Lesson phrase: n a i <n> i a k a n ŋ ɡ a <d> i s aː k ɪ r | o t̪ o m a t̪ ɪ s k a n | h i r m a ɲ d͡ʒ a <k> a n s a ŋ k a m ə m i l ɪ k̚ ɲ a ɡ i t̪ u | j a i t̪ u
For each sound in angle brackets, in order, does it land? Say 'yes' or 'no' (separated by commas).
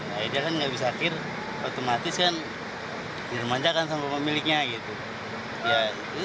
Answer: no, no, yes